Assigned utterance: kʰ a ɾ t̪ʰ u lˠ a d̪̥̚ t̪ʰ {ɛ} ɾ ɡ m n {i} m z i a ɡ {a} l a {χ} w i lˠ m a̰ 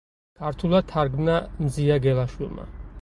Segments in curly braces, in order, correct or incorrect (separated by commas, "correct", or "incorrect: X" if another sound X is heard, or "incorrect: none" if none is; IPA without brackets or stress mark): incorrect: a, incorrect: a, incorrect: ɛ, incorrect: ʃ